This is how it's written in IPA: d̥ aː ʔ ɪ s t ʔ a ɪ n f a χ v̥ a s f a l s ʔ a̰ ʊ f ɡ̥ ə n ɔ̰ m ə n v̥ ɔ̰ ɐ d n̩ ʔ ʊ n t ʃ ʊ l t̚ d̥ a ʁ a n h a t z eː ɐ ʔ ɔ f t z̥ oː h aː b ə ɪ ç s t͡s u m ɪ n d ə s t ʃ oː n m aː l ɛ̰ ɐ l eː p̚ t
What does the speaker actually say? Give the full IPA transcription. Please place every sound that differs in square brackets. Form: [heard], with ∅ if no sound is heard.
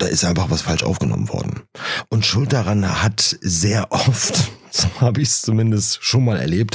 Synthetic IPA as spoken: d̥ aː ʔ ɪ s t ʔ a ɪ n f a χ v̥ a s f a l [ʃ] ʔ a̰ ʊ f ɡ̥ ə n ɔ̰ m ə n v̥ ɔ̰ ɐ d n̩ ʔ ʊ n t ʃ ʊ l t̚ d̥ a ʁ a n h a t z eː ɐ ʔ ɔ f t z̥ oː h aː b ə ɪ ç s t͡s u m ɪ n d ə s t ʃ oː n m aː l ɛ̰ ɐ l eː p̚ t